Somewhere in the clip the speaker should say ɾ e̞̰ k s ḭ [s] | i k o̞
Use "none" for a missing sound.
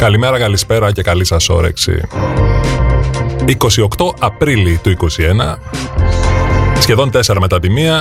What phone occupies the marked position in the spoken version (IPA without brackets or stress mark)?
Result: none